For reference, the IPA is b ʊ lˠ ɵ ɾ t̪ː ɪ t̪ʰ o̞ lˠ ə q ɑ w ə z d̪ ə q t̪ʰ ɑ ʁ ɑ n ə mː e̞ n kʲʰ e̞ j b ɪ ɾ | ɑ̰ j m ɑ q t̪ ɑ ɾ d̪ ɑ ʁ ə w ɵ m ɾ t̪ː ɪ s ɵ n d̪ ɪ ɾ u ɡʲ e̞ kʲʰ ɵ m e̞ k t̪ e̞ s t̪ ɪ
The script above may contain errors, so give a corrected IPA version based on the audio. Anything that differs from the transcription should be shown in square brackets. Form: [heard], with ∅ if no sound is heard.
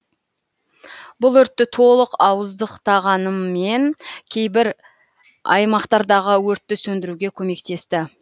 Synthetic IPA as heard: b ʊ lˠ ɵ ɾ t̪ː ɪ t̪ʰ o̞ lˠ ə q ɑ w ə z d̪ ə q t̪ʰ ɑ ʁ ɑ n ə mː e̞ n kʲʰ e̞ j b ɪ ɾ | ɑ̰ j m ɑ q t̪ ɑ ɾ d̪ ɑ ʁ ə w ɵ [∅] ɾ t̪ː ɪ s ɵ n d̪ ɪ ɾ u ɡʲ e̞ kʲʰ ɵ m e̞ k t̪ e̞ s t̪ ɪ

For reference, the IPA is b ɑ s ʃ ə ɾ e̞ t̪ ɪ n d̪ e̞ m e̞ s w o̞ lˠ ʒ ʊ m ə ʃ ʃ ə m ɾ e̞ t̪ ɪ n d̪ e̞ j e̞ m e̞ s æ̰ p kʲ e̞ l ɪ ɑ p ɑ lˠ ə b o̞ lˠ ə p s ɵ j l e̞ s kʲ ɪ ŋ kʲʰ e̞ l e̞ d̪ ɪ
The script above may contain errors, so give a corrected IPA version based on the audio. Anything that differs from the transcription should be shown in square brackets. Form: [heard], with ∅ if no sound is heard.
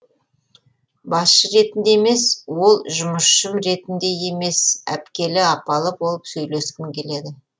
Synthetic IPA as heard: b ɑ s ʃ ə ɾ e̞ t̪ ɪ n d̪ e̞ m e̞ s w o̞ lˠ ʒ ʊ m ə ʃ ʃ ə m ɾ e̞ t̪ ɪ n d̪ e̞ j e̞ m e̞ s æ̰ p kʲ e̞ l ɪ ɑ p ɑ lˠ ə b o̞ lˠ ə p s ɵ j l e̞ s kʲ ɪ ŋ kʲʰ e̞ l e̞ d̪ ɪ

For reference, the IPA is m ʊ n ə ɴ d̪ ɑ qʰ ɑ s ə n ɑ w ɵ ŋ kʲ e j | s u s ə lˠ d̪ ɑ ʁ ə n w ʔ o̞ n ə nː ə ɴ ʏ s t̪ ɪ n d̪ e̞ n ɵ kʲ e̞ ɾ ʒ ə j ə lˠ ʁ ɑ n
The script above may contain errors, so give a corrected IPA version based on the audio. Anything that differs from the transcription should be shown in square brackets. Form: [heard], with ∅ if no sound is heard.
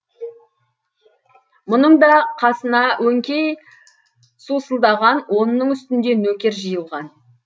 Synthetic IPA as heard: m ʊ n ə ɴ d̪ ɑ qʰ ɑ s ə n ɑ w ɵ ŋ kʲ e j | s u s ə lˠ d̪ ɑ ʁ [ɑ] n w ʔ o̞ n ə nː ə ɴ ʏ s t̪ ɪ n d̪ e̞ n ɵ kʲ e̞ ɾ ʒ ə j ə lˠ ʁ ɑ n

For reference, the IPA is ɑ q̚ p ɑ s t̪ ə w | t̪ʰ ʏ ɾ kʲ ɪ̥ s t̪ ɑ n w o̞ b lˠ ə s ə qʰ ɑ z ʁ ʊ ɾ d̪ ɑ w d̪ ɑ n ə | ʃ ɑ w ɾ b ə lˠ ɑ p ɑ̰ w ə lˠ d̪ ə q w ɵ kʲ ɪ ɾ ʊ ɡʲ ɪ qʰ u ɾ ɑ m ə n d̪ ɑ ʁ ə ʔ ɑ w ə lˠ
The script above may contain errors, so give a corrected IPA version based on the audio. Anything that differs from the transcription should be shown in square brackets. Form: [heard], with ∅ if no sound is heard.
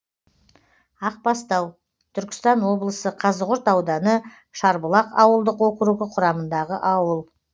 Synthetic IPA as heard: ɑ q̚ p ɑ s t̪ [ɑ] w | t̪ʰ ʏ ɾ kʲ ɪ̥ s t̪ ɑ n w o̞ b lˠ ə s ə qʰ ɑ z ʁ ʊ ɾ [t̪] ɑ w d̪ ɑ n ə | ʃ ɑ [∅] ɾ b ə lˠ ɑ [q] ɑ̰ w ə lˠ d̪ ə q w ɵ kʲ ɪ ɾ [u] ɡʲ ɪ qʰ [ʊ] ɾ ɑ m ə n d̪ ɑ ʁ ə ʔ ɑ w ə lˠ

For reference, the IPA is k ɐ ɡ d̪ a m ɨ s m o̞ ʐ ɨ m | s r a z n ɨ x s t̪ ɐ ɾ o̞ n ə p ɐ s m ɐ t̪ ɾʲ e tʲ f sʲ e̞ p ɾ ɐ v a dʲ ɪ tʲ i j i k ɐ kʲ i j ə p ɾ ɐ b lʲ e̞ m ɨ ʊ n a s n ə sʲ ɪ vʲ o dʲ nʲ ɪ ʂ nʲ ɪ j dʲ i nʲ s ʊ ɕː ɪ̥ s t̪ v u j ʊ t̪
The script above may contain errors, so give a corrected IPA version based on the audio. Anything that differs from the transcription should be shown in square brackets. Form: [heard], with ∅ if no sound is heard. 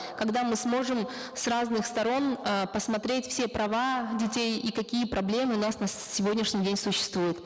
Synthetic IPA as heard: k ɐ ɡ d̪ a m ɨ s m o̞ ʐ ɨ m | s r a z n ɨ x s t̪ ɐ ɾ o̞ n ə p [ə] s m ɐ t̪ ɾʲ e tʲ f sʲ e̞ p ɾ ɐ v a dʲ ɪ tʲ [e] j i k ɐ kʲ i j ə p ɾ ɐ b lʲ e̞ m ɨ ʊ n a s n ə sʲ ɪ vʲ o dʲ nʲ ɪ ʂ nʲ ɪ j dʲ [e] nʲ s ʊ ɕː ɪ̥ s t̪ v u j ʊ t̪

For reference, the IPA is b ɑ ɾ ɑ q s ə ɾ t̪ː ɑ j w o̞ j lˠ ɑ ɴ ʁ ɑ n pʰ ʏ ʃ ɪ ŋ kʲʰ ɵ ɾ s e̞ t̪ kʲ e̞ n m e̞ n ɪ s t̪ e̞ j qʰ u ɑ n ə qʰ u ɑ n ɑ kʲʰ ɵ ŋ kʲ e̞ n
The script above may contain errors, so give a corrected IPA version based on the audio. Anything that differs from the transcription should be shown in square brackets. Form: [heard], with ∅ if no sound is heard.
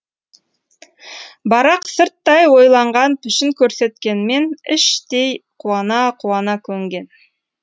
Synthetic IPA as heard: b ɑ ɾ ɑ q s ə ɾ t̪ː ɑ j w o̞ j lˠ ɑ ɴ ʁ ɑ n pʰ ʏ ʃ ɪ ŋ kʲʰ ɵ ɾ s e̞ t̪ kʲ e̞ n m e̞ n ɪ [ʃ] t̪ e̞ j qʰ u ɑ n [ɑ] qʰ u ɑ n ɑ kʲʰ ɵ ŋ [ɡʲ] e̞ n

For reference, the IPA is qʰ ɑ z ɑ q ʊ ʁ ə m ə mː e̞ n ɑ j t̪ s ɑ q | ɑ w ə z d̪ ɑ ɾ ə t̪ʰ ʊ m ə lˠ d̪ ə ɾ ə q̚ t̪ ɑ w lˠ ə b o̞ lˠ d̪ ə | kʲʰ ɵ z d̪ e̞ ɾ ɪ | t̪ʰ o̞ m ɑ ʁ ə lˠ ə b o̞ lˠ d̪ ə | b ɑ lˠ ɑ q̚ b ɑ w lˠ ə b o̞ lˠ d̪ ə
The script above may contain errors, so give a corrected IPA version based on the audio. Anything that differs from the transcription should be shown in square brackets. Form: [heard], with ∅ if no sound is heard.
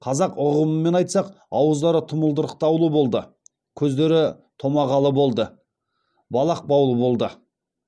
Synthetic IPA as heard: qʰ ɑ z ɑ q ʊ ʁ ə m ə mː e̞ n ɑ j t̪ s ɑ q | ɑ w ə z d̪ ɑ ɾ ə t̪ʰ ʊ m ə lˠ d̪ ə ɾ ə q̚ t̪ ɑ w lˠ ə b o̞ lˠ d̪ ə | kʲʰ ɵ z d̪ e̞ ɾ ɪ | t̪ʰ o̞ m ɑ ʁ [ɑ] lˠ ə b o̞ lˠ d̪ ə | b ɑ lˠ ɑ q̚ b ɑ w lˠ ə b o̞ lˠ d̪ ə

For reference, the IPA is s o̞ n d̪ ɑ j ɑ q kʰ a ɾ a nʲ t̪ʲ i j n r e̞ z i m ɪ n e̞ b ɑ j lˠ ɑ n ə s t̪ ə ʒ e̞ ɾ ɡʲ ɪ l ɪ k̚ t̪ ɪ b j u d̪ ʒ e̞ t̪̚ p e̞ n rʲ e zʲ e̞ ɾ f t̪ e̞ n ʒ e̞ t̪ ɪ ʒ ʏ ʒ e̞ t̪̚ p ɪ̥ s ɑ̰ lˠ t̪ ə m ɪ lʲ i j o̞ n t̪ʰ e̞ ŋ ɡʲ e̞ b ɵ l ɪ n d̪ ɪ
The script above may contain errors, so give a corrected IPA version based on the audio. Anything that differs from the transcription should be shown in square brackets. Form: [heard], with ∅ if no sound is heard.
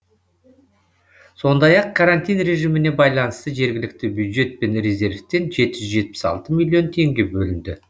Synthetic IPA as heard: s o̞ n d̪ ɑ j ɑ q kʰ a ɾ a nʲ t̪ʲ i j n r e̞ [ʒ] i m ɪ n e̞ b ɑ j lˠ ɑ n ə s t̪ ə ʒ e̞ ɾ ɡʲ ɪ l ɪ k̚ t̪ ɪ b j u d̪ ʒ e̞ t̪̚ p e̞ n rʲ e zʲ e̞ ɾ f t̪ e̞ n ʒ e̞ t̪ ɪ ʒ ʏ ʒ e̞ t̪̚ p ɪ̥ s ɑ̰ lˠ t̪ ə m [i] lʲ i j o̞ n t̪ʰ e̞ ŋ ɡʲ e̞ b ɵ l ɪ n d̪ ɪ

